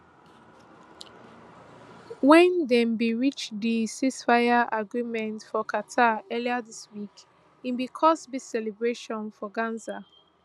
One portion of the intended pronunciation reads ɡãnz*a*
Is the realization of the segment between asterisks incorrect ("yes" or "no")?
no